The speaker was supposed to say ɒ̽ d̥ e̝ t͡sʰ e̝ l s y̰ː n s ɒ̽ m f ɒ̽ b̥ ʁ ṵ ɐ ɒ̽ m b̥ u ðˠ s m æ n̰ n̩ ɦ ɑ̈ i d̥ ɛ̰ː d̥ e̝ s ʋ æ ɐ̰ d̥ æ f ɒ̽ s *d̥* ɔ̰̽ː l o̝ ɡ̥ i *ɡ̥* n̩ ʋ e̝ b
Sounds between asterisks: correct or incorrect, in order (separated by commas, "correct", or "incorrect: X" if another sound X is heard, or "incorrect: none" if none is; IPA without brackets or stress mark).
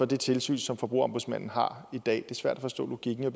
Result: correct, correct